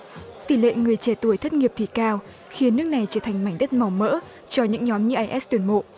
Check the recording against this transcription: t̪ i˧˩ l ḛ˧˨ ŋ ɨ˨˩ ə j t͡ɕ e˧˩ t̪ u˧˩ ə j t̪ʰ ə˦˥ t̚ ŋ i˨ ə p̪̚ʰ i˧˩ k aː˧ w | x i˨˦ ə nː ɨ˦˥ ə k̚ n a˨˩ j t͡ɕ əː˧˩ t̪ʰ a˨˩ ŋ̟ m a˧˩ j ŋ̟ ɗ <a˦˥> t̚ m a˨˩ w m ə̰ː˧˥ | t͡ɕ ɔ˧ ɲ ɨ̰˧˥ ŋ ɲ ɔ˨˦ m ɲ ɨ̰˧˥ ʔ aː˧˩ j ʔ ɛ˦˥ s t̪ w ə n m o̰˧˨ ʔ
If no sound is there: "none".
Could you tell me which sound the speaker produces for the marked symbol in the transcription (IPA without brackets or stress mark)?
ə˦˥